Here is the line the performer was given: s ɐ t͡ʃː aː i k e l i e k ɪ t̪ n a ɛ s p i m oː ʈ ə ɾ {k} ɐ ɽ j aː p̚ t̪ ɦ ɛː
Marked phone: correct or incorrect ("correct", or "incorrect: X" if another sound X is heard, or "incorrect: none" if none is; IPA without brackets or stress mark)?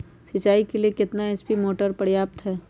incorrect: p